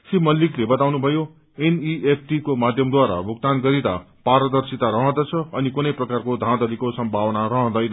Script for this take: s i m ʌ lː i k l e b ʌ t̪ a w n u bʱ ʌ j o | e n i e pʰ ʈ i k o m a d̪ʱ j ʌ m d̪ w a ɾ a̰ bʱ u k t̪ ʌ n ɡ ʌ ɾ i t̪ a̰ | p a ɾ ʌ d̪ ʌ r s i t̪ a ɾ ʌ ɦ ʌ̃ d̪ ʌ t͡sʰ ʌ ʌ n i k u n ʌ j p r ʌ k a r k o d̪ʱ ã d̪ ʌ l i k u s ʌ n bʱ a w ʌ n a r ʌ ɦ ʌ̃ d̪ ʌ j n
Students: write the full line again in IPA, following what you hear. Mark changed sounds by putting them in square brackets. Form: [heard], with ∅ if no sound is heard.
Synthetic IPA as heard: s i m ʌ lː i k l e b ʌ t̪ a w n u bʱ ʌ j o | e n i e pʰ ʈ i k o m a d̪ʱ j ʌ m d̪ w a ɾ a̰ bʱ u k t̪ [a] n ɡ ʌ ɾ i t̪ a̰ | p a ɾ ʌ d̪ ʌ r s i t̪ a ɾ ʌ ɦ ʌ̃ d̪ ʌ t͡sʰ ʌ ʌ n i k u n ʌ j p r ʌ k a r k o d̪ʱ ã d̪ ʌ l i k [o] s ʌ [m] bʱ a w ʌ n a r ʌ ɦ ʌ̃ d̪ ʌ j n